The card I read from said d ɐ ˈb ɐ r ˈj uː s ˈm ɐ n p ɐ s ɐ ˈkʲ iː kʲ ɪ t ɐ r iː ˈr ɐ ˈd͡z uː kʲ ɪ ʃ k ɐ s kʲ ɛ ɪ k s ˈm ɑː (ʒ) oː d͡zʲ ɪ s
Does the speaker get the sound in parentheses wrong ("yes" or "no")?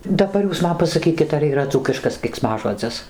no